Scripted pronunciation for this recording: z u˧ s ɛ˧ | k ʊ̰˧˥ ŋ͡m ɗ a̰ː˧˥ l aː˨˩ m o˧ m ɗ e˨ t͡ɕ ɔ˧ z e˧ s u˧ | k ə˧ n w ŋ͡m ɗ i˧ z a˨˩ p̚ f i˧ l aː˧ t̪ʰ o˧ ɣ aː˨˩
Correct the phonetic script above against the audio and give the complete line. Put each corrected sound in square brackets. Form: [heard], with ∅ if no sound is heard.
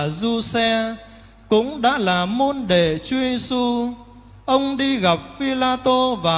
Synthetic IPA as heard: z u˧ s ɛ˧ | k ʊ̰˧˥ ŋ͡m ɗ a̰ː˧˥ l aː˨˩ m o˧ [n] ɗ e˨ t͡ɕ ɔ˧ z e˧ s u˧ | [ʔ] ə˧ [∅] w ŋ͡m ɗ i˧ [ɣ] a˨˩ p̚ f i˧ l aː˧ [t̪] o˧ [v] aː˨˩